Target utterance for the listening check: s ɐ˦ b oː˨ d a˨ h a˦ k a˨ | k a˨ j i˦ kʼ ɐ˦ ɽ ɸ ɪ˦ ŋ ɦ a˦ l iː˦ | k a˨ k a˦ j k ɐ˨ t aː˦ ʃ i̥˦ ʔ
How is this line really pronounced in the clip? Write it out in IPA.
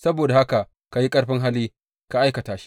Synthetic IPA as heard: s ɐ˦ b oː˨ d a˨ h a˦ k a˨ | k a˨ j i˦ kʼ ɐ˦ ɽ ɸ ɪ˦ ŋ ɦ a˦ l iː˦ | k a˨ ʔ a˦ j k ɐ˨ t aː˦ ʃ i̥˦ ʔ